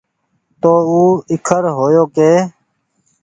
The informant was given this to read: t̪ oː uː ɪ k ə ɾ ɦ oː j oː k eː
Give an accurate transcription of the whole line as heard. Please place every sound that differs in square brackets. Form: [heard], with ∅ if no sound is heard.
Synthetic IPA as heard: t̪ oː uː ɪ [kʰ] ə ɾ ɦ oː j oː k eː